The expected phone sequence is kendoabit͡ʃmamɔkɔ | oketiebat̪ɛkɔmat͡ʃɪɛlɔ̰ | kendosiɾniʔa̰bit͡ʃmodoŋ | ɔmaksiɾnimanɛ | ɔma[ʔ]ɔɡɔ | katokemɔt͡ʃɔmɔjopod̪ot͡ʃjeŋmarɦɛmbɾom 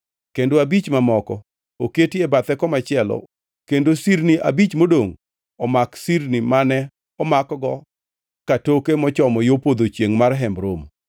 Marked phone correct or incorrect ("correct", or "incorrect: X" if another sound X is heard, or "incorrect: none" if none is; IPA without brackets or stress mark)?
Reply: incorrect: k